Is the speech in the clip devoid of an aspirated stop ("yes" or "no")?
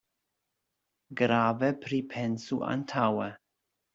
no